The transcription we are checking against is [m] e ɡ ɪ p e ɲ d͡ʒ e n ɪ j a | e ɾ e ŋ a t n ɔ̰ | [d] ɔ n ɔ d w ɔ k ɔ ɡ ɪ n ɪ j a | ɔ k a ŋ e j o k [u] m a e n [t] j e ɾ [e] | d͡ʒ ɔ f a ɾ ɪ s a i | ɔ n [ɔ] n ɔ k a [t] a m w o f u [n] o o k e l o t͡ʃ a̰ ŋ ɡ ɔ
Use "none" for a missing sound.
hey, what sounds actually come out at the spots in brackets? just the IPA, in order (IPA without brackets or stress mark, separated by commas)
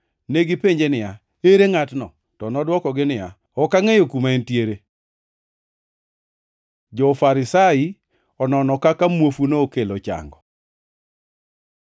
n, t, u, t, e, ɔ, k, n